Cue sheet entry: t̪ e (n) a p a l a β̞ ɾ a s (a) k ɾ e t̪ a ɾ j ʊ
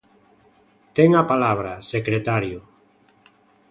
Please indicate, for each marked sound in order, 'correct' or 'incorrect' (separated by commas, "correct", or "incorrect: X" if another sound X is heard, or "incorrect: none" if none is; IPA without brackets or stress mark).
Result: incorrect: ŋ, incorrect: e